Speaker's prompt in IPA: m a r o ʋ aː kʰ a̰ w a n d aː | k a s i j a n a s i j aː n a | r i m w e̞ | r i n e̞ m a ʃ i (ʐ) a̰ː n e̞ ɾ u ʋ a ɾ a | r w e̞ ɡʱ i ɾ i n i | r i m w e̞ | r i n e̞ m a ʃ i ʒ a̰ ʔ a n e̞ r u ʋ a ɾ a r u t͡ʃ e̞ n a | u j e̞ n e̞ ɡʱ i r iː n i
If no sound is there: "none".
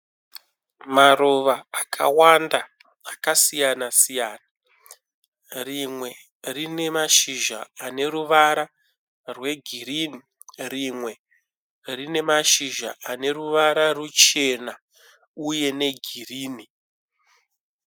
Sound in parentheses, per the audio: ʒ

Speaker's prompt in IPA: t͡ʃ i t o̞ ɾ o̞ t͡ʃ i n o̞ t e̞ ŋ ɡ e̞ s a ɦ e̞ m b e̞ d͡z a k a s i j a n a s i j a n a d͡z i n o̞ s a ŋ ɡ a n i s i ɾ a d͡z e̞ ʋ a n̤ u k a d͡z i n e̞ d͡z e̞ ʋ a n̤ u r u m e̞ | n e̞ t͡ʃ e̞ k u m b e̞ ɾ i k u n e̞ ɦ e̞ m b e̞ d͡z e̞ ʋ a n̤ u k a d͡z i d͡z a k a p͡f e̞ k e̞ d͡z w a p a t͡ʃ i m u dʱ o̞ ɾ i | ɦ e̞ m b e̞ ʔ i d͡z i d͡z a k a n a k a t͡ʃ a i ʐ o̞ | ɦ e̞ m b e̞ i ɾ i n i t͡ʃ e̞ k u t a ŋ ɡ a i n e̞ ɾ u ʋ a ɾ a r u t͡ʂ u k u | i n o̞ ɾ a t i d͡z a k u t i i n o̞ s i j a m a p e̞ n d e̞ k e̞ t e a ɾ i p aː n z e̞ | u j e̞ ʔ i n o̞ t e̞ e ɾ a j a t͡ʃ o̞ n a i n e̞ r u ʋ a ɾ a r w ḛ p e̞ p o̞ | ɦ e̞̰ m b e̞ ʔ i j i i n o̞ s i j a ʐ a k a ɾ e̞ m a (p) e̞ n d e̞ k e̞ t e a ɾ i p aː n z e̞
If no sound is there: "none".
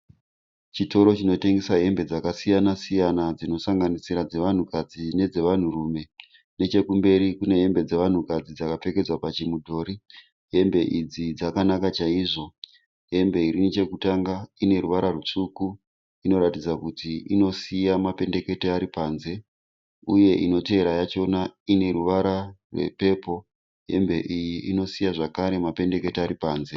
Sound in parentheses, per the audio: p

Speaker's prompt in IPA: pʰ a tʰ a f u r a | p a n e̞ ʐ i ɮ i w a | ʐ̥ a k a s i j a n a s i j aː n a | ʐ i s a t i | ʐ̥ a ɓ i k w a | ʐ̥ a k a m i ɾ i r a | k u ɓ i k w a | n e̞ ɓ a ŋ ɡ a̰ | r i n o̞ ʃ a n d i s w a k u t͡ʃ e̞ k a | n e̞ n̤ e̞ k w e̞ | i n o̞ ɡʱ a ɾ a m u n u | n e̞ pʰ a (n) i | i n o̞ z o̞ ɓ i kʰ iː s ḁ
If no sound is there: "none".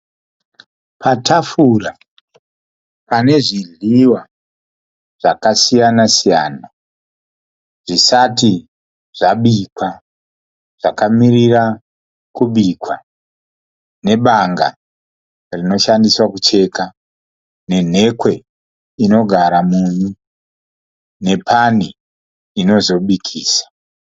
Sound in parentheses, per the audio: n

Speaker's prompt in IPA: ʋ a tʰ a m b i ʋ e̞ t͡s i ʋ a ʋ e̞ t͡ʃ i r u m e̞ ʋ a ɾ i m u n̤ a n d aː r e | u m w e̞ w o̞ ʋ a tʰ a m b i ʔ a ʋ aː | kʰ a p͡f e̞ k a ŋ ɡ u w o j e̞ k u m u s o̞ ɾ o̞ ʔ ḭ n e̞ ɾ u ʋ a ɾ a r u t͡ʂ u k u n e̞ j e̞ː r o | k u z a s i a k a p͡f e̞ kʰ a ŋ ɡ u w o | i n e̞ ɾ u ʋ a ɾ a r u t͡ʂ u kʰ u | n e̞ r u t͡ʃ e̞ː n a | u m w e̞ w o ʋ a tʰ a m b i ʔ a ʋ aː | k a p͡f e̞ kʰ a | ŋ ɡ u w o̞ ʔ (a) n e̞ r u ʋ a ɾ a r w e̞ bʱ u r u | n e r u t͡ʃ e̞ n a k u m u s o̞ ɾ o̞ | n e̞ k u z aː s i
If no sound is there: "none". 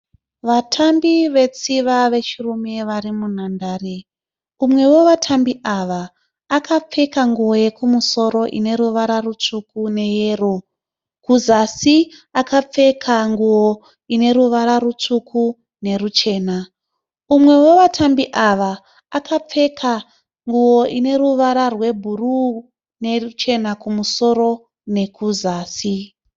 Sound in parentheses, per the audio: i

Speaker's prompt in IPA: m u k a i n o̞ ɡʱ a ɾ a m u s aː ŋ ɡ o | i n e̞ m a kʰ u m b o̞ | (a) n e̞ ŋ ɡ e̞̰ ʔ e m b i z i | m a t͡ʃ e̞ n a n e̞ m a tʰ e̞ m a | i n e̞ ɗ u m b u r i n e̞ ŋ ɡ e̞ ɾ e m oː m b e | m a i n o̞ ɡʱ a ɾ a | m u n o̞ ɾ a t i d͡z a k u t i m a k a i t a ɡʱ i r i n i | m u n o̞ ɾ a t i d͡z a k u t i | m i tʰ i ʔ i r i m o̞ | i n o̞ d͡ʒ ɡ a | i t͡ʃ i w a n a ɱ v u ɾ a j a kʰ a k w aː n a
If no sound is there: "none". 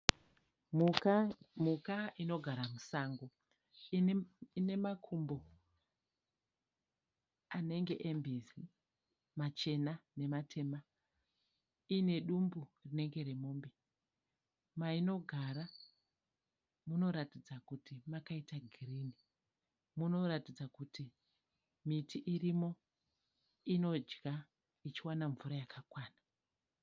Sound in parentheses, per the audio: a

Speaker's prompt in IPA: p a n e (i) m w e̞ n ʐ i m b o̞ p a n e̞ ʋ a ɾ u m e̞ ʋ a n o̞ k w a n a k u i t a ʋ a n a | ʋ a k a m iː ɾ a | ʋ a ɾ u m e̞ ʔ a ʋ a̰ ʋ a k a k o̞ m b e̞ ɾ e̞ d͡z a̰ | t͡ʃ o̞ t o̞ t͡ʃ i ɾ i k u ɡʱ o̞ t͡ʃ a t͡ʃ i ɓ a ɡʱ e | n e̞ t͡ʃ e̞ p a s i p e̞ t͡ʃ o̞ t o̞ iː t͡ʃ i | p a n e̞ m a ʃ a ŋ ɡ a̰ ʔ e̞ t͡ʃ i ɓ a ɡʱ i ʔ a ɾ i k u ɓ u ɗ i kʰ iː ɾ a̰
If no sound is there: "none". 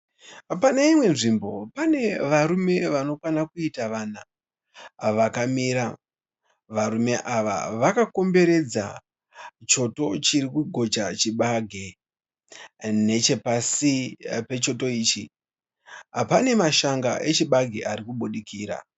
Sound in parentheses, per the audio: i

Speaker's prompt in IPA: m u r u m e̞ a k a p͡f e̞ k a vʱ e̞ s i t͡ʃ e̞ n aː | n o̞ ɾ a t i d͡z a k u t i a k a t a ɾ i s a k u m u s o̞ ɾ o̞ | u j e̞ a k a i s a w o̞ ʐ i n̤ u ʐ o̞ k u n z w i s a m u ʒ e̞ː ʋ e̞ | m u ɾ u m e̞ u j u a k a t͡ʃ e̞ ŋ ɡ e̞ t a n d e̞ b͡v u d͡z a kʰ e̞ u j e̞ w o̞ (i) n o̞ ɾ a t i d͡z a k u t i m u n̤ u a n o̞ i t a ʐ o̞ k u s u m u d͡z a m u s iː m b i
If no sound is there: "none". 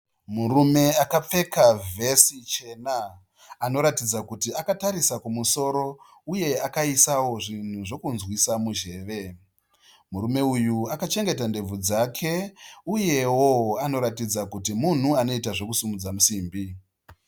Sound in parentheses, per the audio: a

